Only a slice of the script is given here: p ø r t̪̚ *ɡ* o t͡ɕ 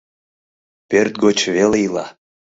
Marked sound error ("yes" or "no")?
no